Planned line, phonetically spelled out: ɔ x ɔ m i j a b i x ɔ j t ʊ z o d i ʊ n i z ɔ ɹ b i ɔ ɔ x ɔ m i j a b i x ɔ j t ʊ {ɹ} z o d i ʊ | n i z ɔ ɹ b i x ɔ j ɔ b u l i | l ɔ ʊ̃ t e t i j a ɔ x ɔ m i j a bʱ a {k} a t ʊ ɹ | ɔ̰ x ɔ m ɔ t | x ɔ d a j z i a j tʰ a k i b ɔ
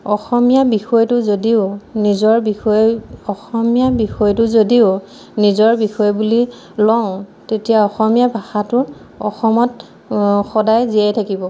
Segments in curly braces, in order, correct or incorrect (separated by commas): incorrect, incorrect